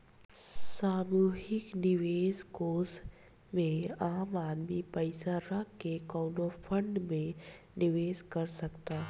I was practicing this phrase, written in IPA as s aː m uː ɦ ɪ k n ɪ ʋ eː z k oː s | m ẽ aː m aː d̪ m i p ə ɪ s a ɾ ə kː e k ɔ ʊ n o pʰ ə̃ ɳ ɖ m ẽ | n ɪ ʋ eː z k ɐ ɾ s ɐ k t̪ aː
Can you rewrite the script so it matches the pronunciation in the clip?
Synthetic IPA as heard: s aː m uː ɦ ɪ k n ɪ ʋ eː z k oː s | m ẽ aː m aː d̪ m i p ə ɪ s a ɾ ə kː e k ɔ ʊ n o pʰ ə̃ ɳ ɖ m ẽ | n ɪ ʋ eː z k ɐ ɾ s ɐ k t̪ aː